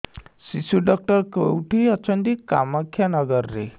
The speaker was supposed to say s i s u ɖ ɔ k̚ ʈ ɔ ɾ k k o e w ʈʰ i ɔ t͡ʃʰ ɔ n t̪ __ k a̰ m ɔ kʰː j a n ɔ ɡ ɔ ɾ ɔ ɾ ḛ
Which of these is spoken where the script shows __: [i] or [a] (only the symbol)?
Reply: i